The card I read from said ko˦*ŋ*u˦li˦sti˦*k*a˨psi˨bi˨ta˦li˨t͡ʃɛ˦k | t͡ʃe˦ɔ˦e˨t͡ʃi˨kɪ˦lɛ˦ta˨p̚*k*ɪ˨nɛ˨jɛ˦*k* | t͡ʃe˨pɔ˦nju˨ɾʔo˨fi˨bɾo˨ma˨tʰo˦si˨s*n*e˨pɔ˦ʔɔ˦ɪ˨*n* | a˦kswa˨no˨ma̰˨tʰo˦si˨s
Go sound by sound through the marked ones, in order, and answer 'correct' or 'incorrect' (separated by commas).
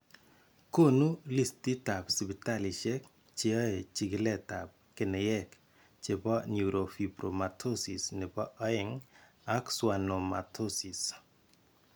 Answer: incorrect, incorrect, correct, correct, correct, incorrect